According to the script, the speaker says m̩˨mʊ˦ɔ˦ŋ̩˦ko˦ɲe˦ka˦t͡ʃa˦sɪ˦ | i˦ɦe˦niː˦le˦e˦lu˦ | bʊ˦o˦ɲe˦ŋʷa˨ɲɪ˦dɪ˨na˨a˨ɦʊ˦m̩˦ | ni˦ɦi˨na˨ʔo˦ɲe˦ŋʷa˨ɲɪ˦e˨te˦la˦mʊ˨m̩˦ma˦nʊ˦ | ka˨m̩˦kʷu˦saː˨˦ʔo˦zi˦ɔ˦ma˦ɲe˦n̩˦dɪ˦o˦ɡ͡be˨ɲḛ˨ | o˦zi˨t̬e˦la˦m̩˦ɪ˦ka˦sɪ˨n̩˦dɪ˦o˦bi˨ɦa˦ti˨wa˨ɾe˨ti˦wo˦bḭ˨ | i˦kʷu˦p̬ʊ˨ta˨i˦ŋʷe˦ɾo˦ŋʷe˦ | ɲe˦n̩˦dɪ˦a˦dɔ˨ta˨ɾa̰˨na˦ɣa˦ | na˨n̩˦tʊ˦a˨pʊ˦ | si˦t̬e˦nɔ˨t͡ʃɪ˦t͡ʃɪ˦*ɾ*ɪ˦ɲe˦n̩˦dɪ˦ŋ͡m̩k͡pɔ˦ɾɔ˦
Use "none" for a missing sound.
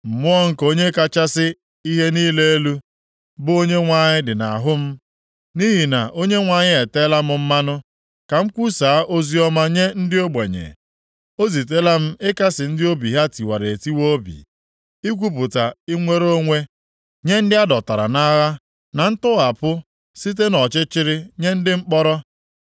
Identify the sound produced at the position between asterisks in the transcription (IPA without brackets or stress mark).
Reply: ɾ